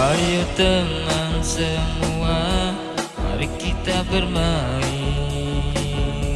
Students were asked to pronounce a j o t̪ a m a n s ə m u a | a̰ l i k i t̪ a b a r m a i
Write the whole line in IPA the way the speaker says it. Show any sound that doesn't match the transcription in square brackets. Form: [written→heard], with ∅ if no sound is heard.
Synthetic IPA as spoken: a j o t̪ [a→ə] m a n s ə m u a | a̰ [l→ɾ] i k i t̪ a b [a→ə] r m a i

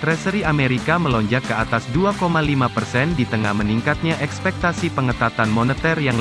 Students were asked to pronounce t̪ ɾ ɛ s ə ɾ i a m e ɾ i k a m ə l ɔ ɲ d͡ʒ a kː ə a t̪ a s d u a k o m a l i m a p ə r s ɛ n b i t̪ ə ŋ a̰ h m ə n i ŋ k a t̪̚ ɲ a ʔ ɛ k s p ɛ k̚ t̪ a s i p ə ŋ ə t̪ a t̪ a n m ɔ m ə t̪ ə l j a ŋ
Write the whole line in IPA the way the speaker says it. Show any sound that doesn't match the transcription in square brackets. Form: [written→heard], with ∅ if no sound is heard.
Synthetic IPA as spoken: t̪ ɾ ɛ s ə ɾ i a m e ɾ i k a m ə l ɔ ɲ d͡ʒ a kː ə a t̪ a s d u a k o m a l i m a p ə r s ɛ n [b→d] i t̪ ə ŋ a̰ h m ə n i ŋ k a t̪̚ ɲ a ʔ ɛ k s p ɛ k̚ t̪ a s i p ə ŋ ə t̪ a t̪ a n m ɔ [m→n] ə t̪ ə [l→r] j a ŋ

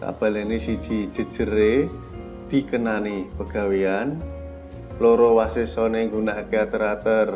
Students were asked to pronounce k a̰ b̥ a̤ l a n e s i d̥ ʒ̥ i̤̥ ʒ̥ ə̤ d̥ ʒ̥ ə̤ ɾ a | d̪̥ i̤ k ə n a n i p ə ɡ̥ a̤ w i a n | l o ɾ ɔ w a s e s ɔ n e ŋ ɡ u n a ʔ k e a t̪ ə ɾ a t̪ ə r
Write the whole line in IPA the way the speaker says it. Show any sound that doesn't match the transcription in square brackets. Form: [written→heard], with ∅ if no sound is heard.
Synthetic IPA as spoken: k a̰ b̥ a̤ l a n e s i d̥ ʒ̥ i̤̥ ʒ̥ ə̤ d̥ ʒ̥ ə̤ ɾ [a→e] | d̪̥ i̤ k ə n a n i p ə ɡ̥ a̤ w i a n | l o ɾ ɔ w a s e s ɔ n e ŋ ɡ u n a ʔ k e a t̪ ə ɾ a t̪ ə r

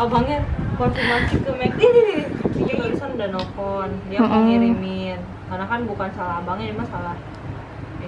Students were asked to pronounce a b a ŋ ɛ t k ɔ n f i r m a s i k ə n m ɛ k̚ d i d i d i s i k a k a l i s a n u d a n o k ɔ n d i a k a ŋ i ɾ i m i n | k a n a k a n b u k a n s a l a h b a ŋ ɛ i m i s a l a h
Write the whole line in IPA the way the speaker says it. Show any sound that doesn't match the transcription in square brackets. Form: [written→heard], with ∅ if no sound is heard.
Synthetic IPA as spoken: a b a ŋ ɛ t k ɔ n f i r m a s i k ə [n→∅] m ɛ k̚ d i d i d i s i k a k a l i s a n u d a n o k ɔ n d i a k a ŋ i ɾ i m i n | k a n a k a n b u k a n s a l a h b a ŋ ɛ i m [i→a] s a l a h

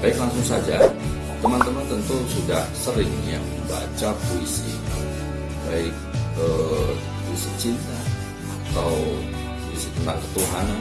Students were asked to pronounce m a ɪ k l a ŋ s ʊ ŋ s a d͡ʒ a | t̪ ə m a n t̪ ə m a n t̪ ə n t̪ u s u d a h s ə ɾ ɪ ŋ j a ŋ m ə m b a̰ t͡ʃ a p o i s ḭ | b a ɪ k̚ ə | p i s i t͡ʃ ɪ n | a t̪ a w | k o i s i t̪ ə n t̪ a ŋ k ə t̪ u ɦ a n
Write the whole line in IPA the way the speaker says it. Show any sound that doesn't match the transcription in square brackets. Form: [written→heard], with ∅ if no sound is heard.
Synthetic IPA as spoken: [m→b] a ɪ k l a ŋ s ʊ ŋ s a d͡ʒ a | t̪ ə m a n t̪ ə m a n t̪ ə n t̪ u s u d a h s ə ɾ ɪ ŋ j a ŋ m ə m b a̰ t͡ʃ a p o i s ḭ | b a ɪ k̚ ə | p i s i t͡ʃ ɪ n | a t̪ a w | [k→p] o i s i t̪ ə n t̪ a ŋ k ə t̪ u ɦ a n

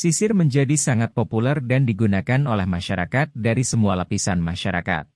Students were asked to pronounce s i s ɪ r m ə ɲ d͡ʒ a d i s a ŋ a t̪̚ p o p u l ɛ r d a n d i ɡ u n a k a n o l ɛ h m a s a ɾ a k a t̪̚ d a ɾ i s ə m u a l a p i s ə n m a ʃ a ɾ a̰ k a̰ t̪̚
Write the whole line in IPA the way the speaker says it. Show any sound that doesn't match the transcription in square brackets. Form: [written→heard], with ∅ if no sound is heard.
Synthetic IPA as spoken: s i s ɪ r m ə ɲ d͡ʒ a d i s a ŋ a t̪̚ p o p u l ɛ r d a n d i ɡ u n a k a n o l ɛ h m a [s→ʃ] a ɾ a k a t̪̚ d a ɾ i s ə m u a l a p i s [ə→a] n m a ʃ a ɾ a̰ k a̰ t̪̚

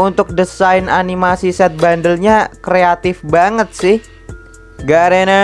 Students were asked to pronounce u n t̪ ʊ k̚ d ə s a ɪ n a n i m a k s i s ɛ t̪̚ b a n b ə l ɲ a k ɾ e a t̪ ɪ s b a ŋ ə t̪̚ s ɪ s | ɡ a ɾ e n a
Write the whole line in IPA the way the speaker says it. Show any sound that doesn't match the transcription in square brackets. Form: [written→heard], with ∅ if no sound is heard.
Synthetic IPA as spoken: u n t̪ ʊ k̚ d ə s a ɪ n a n i m a [k→∅] s i s ɛ t̪̚ b a n [b→d] ə l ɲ a k ɾ e a t̪ ɪ [s→f] b a ŋ ə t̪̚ s ɪ [s→h] | ɡ a ɾ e n a

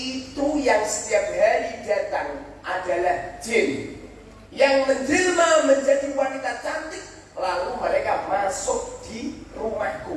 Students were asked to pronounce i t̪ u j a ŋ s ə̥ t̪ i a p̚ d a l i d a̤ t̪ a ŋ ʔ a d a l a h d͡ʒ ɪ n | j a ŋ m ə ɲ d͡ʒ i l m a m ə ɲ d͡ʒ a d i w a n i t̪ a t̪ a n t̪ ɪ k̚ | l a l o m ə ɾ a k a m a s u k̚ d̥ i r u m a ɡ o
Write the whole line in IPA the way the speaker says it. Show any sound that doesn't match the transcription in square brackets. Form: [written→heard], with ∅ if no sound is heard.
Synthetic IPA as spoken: i t̪ u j a ŋ s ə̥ t̪ i a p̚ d a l i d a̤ t̪ a ŋ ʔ a d a l a h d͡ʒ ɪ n | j a ŋ m ə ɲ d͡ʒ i l m a m ə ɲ d͡ʒ a d i w a n i t̪ a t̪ a n t̪ ɪ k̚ | l a l [o→u] m ə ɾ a k a m a s [u→ʊ] k̚ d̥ i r u m a ɡ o

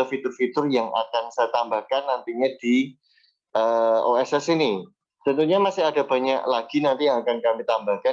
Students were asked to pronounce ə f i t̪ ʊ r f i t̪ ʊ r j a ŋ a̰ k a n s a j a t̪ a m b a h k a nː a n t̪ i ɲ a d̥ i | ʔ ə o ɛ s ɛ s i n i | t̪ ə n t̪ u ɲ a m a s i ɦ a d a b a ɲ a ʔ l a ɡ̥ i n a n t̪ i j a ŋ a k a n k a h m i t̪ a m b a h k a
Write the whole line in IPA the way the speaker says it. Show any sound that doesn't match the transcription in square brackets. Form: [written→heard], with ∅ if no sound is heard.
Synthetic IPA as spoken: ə f i t̪ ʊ r f i t̪ ʊ r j a ŋ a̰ k a n s a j a t̪ a m b a h k a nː a n t̪ i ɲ a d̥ i | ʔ ə o ɛ s ɛ s i n i | t̪ ə n t̪ u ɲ a m a s [i→ɪ] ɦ a d a b a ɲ a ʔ l a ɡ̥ i n a n t̪ i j a ŋ a k a n k a [h→∅] m i t̪ a m b a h k a

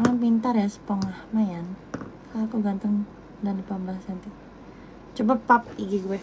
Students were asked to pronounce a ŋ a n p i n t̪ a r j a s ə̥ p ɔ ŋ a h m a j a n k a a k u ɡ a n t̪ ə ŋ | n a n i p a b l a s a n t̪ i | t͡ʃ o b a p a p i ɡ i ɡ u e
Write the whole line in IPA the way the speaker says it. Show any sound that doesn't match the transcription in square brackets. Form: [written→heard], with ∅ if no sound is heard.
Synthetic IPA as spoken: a ŋ a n p i n t̪ a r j a s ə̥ p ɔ ŋ a h m a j a n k a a k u ɡ a n t̪ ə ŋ | [n→d] a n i p a b l a s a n t̪ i | t͡ʃ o b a p a p i ɡ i ɡ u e

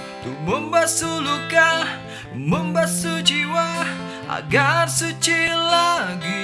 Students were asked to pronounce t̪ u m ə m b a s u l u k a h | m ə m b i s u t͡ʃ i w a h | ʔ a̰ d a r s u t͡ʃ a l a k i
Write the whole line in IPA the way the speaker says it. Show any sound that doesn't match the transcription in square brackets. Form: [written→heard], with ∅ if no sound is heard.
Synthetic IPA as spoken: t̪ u m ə m b a s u l u k a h | m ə m b [i→a] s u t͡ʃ i w a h | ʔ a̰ [d→ɡ] a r s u t͡ʃ [a→i] l a [k→ɡ] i

